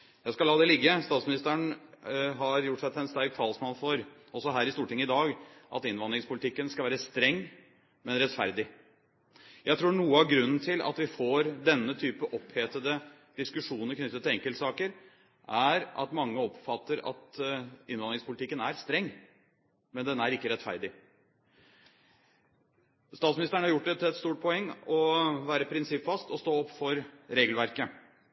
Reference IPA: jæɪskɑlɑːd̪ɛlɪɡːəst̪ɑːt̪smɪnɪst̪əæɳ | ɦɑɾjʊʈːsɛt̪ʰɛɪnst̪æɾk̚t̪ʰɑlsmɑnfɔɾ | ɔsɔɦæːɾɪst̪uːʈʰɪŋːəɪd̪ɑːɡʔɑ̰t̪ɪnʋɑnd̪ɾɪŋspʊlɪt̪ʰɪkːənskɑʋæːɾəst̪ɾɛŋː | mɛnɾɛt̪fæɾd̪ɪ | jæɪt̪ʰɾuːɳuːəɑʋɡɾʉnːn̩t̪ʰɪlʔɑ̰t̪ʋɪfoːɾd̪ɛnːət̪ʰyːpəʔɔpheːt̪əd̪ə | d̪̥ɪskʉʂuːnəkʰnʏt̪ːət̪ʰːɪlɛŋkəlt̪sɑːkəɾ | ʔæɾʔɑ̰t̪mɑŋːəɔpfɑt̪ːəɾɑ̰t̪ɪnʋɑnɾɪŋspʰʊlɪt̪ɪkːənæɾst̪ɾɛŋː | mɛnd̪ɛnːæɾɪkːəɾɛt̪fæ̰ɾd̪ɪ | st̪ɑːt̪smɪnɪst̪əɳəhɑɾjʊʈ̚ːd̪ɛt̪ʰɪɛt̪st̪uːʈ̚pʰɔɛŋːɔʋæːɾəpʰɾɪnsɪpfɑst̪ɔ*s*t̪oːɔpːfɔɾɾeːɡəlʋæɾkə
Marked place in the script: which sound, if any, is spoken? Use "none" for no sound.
s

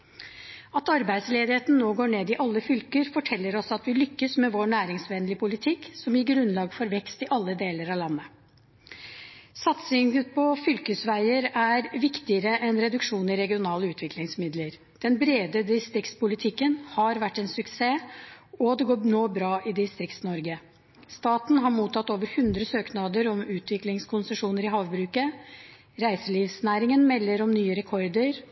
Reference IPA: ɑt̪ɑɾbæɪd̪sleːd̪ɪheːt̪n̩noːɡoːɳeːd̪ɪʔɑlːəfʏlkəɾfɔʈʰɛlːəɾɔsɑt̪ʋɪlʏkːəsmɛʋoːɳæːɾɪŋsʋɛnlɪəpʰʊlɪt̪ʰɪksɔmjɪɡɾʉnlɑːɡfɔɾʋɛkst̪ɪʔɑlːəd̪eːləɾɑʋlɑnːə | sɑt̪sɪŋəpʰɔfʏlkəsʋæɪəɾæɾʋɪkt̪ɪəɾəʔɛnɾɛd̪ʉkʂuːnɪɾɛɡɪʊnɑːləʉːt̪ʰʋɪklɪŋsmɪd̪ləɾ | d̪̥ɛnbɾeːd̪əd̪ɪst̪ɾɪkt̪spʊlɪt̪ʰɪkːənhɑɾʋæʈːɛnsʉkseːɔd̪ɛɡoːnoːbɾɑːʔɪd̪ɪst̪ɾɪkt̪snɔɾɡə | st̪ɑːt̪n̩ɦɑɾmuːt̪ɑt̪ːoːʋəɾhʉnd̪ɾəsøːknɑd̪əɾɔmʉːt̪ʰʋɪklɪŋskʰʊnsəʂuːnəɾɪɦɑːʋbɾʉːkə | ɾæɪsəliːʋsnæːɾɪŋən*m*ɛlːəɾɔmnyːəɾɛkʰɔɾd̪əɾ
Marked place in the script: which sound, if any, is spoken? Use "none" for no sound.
m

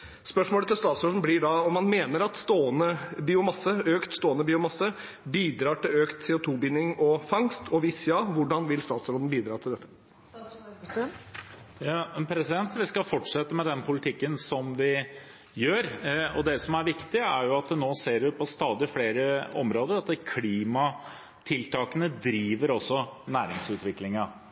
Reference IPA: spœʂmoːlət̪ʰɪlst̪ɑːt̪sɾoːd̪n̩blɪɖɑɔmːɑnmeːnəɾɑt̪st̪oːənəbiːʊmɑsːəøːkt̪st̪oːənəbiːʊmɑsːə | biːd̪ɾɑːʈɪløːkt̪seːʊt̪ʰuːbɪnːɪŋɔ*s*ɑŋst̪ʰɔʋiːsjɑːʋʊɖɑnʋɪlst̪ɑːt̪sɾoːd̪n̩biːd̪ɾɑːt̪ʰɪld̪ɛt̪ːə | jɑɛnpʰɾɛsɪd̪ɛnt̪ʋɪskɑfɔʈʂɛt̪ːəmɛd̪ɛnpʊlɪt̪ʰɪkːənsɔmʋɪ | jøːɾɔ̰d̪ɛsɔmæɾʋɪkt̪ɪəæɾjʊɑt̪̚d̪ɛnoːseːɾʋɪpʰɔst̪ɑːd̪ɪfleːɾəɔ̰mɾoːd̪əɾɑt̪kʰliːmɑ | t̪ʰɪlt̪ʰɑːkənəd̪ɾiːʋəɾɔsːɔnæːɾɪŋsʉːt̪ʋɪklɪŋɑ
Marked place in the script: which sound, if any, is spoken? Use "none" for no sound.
f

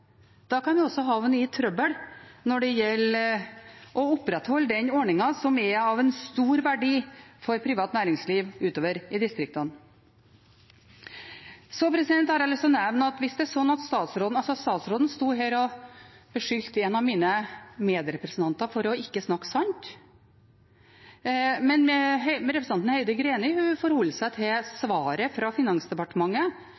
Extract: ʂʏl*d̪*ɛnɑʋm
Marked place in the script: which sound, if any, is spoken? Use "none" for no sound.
t̪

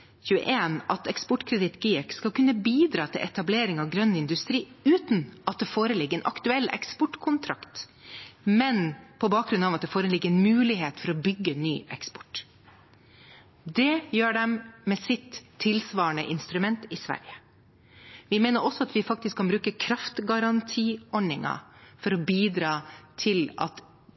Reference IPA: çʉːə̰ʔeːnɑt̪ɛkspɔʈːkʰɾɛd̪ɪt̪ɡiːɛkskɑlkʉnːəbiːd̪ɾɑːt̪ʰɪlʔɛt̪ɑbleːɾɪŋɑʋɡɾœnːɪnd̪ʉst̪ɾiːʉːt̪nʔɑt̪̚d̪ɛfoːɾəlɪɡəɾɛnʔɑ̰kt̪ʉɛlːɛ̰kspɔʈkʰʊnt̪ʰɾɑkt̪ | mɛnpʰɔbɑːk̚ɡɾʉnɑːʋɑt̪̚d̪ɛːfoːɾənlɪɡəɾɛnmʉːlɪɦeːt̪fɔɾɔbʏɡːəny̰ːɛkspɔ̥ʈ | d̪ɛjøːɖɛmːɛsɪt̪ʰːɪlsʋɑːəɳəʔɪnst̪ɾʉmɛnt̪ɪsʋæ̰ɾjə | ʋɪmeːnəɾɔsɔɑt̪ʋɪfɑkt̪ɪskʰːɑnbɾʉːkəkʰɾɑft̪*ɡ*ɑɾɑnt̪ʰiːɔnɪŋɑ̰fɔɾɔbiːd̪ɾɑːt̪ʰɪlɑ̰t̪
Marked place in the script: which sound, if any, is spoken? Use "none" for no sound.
ɡ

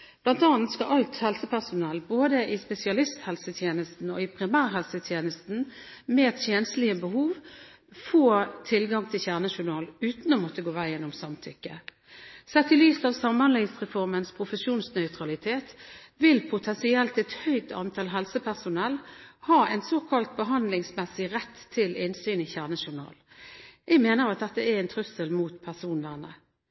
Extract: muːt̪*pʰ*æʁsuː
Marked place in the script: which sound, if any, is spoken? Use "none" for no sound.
pʰ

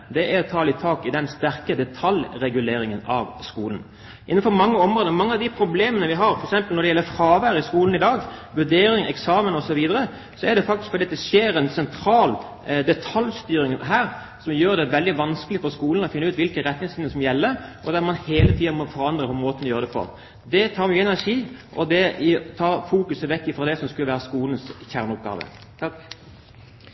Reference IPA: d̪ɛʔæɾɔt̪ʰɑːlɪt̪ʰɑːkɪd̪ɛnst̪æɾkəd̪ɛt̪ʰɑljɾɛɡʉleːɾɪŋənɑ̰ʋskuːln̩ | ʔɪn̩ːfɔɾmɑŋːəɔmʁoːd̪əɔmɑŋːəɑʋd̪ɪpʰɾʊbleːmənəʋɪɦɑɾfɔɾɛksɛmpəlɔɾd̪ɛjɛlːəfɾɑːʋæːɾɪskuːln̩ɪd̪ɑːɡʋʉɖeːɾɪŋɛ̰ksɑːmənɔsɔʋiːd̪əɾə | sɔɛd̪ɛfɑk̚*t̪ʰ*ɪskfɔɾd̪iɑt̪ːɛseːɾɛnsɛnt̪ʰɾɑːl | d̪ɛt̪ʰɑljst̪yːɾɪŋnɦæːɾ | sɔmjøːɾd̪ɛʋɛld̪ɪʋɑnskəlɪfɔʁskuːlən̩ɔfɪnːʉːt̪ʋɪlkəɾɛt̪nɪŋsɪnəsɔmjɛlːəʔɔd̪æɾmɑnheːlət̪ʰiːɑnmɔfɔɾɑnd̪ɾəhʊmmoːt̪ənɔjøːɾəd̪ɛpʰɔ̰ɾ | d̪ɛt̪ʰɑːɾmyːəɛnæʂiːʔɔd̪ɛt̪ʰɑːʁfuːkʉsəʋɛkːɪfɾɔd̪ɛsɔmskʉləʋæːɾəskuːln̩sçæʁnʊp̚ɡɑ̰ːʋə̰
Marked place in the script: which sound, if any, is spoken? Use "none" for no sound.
t̪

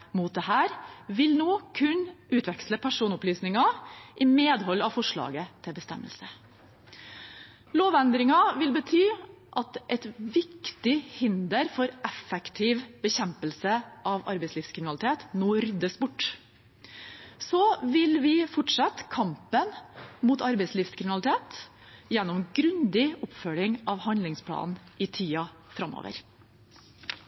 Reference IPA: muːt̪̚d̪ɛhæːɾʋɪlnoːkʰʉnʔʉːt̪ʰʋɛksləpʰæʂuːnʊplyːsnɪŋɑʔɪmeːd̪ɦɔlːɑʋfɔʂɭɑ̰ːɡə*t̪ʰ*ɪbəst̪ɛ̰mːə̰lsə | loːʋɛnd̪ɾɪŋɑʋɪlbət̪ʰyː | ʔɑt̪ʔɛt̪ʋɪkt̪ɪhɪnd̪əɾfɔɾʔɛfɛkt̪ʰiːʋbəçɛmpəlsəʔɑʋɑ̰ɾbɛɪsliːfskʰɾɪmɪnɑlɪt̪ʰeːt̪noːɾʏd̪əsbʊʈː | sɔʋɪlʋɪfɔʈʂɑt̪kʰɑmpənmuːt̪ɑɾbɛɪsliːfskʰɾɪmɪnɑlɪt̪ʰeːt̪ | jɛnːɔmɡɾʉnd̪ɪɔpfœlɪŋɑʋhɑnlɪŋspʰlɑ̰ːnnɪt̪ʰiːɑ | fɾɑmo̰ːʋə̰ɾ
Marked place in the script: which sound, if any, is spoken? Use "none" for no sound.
t̪ʰ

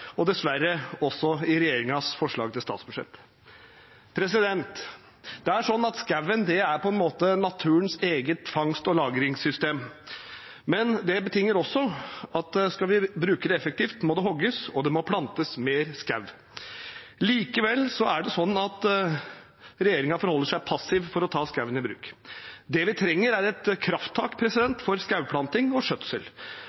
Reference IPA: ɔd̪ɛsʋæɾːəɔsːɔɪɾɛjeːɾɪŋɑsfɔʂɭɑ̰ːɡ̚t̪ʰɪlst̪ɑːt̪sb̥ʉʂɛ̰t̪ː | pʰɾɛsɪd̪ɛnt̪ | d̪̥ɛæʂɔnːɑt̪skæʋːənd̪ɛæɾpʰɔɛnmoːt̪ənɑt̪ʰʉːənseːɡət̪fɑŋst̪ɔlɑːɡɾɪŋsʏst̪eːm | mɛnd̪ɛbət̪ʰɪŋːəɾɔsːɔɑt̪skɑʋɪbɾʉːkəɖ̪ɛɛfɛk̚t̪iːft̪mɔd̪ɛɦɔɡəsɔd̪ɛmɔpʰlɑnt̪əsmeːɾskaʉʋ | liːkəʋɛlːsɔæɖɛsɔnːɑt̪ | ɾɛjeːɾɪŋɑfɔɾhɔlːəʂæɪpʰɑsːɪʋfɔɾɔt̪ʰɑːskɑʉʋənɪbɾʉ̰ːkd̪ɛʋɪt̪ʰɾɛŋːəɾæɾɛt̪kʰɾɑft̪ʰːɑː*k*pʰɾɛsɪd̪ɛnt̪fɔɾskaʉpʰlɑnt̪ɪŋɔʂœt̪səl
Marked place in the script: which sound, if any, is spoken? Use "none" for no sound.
k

